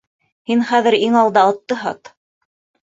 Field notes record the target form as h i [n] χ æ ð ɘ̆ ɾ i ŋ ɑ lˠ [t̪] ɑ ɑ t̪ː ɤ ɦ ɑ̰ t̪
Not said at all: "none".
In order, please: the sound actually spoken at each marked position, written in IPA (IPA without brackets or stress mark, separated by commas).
n, d̪